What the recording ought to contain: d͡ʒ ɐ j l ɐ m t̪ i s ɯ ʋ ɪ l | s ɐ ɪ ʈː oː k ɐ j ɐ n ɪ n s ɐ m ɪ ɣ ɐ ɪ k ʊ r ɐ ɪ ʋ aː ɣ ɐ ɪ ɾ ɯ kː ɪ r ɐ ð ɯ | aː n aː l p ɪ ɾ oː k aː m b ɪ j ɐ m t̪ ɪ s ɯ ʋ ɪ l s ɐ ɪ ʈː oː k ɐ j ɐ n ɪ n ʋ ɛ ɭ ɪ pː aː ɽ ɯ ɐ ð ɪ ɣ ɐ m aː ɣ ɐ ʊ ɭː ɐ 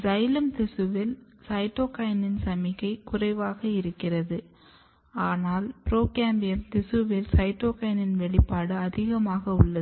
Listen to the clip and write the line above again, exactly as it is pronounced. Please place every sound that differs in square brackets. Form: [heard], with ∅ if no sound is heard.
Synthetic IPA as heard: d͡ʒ ɐ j l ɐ m t̪ [ɪ] s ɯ ʋ ɪ l | s ɐ ɪ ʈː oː k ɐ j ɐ n ɪ n s ɐ m ɪ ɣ ɐ ɪ k ʊ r ɐ ɪ ʋ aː ɣ ɐ ɪ ɾ ɯ kː ɪ r ɐ ð ɯ | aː n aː l p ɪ ɾ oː k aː m b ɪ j ɐ m t̪ ɪ s ɯ ʋ ɪ l s ɐ ɪ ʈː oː k ɐ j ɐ n ɪ n ʋ ɛ ɭ ɪ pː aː ɽ ɯ ɐ ð ɪ ɣ ɐ m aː ɣ ɐ ʊ ɭː ɐ

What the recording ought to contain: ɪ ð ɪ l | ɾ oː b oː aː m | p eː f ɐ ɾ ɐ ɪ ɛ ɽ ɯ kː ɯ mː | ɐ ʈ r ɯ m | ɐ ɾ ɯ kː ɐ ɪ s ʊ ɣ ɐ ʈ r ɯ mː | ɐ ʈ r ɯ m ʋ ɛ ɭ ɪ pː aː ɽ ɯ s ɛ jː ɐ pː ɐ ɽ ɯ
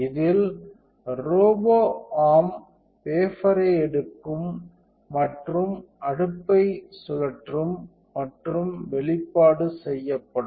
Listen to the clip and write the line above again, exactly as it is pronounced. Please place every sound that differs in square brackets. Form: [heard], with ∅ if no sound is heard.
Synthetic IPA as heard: ɪ ð ɪ l | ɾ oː b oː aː m | p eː f ɐ ɾ ɐ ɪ ɛ ɽ ɯ kː ɯ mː | ɐ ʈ r ɯ m | ɐ [ɽ] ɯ [pː] ɐ ɪ s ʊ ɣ ɐ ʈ r ɯ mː | ɐ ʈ r ɯ m ʋ ɛ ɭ ɪ pː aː ɽ ɯ s ɛ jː ɐ pː ɐ ɽ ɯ

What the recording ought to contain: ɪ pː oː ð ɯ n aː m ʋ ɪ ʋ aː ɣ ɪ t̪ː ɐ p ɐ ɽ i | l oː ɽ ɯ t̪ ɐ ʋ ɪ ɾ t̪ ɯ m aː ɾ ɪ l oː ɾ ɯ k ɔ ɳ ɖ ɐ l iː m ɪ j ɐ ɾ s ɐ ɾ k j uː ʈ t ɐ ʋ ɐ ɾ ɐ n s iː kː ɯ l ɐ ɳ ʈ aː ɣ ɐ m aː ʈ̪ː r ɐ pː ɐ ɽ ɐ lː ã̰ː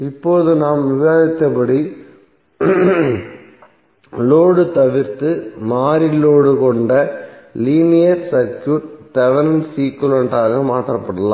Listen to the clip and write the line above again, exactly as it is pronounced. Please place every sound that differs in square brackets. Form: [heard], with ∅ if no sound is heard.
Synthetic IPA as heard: ɪ pː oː ð ɯ n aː m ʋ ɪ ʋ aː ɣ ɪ t̪ː ɐ p ɐ ɽ i | l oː ɽ ɯ t̪ ɐ ʋ ɪ ɾ t̪ ɯ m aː ɾ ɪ l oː [ɽ] ɯ k ɔ ɳ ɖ ɐ l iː [n] ɪ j ɐ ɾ s ɐ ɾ k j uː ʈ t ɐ ʋ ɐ ɾ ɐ n s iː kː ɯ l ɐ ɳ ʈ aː ɣ ɐ m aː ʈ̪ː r ɐ pː ɐ ɽ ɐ [l] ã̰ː

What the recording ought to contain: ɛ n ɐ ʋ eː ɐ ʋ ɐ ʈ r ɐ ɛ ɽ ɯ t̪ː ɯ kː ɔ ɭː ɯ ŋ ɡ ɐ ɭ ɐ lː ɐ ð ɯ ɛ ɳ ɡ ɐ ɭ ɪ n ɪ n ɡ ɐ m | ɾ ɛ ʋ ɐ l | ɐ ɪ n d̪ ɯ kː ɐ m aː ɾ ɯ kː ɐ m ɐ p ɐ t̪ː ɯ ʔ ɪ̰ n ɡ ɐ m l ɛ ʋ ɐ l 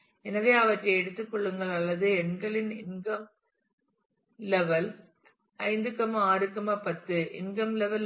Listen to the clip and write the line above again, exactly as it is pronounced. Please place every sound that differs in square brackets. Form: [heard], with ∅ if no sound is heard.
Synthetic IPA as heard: ɛ n ɐ ʋ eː ɐ ʋ ɐ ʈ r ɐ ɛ ɽ ɯ t̪ː ɯ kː ɔ ɭː ɯ ŋ ɡ ɐ ɭ ɐ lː ɐ ð ɯ ɛ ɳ ɡ ɐ ɭ ɪ n ɪ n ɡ ɐ m | [l] ɛ ʋ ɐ l | ɐ ɪ n d̪ ɯ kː ɐ m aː ɾ ɯ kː ɐ m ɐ p ɐ t̪ː ɯ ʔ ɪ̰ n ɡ ɐ m l ɛ ʋ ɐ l

